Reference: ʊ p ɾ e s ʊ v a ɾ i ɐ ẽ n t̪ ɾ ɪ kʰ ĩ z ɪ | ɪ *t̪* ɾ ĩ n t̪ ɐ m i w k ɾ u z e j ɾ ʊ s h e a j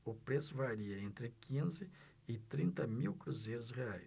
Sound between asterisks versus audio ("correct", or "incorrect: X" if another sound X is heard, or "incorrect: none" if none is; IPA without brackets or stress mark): correct